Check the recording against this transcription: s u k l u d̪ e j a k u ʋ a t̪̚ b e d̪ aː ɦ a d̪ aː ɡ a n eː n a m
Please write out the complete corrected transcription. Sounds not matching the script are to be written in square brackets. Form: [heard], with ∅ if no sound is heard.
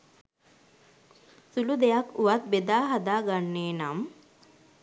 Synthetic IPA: s u [∅] l u d̪ e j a k u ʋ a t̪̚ b e d̪ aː ɦ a d̪ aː ɡ a [nː] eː n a m